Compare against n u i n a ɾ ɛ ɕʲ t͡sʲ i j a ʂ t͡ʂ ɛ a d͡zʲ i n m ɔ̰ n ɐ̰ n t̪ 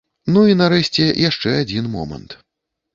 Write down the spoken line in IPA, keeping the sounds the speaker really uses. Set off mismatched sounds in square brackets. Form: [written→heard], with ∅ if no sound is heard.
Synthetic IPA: n u i n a ɾ ɛ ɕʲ t͡sʲ [i→ɛ] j a ʂ t͡ʂ ɛ a d͡zʲ i n m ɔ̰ [n→m] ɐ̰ n t̪